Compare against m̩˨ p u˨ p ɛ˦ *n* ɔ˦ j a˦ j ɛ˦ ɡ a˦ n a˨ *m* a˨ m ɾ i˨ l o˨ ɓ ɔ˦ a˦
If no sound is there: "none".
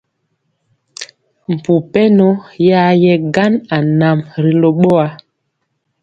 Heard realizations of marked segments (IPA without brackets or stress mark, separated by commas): n, n